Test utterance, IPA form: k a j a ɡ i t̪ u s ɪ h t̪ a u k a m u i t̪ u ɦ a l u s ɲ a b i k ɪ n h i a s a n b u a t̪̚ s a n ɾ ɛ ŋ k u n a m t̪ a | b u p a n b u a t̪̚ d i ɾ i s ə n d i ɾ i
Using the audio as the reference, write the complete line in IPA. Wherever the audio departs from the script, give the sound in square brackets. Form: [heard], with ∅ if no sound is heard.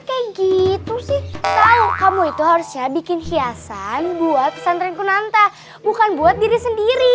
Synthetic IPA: k a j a ɡ i t̪ u s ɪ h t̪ a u k a m u i t̪ u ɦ a [ɾ] u s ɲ a b i k ɪ n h i a s a n b u a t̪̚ s a n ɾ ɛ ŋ k u n a [n] t̪ a | b u [k] a n b u a t̪̚ d i ɾ i s ə n d i ɾ i